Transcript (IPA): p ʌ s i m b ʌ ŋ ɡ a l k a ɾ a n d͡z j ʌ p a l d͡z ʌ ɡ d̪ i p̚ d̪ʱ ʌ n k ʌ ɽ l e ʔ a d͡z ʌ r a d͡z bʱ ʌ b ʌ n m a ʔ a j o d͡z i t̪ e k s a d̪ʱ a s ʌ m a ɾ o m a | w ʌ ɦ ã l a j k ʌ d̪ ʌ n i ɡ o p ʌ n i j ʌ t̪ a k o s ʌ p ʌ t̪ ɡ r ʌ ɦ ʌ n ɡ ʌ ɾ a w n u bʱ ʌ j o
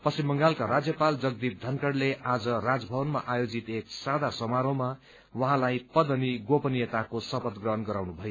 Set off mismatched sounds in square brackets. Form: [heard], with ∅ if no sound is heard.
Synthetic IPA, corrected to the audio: p ʌ s i m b ʌ ŋ ɡ a l k a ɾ a [∅] d͡z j ʌ p a l d͡z ʌ ɡ d̪ i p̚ d̪ʱ ʌ n k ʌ ɽ l e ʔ a d͡z ʌ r a d͡z bʱ ʌ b ʌ n m a ʔ a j o d͡z i t̪ e k s a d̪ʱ a s ʌ m a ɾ o m a | w ʌ ɦ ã l a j [p] ʌ d̪ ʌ n i ɡ o p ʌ n i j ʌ t̪ a k o s ʌ p ʌ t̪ ɡ r ʌ ɦ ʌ n ɡ ʌ ɾ a w n u bʱ ʌ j o